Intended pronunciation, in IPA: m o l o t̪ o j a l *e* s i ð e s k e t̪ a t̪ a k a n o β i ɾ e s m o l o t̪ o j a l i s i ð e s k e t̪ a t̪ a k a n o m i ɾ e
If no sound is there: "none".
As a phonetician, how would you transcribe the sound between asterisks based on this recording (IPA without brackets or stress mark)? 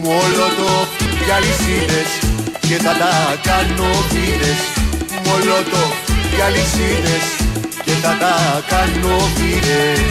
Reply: i